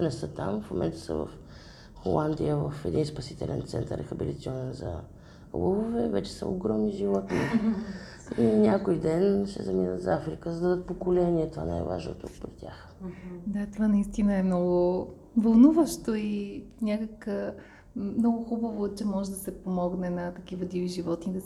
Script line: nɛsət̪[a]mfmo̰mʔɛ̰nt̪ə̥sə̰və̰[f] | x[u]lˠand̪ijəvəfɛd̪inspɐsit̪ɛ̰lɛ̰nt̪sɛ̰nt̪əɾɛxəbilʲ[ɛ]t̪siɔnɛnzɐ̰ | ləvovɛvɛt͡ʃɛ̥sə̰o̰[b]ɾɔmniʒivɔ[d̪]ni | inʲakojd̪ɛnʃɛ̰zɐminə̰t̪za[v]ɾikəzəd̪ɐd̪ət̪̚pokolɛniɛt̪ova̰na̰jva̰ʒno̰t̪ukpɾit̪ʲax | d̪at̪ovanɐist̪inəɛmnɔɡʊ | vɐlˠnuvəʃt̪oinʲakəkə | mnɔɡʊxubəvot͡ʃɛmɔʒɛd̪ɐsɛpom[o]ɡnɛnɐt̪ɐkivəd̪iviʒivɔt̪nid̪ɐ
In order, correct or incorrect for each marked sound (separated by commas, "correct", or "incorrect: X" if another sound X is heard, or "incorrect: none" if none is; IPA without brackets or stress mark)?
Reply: correct, correct, incorrect: o, incorrect: i, incorrect: ɡ, incorrect: t̪, incorrect: f, incorrect: ɔ